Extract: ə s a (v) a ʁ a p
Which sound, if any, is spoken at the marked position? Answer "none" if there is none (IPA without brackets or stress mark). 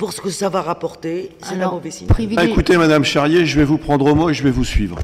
v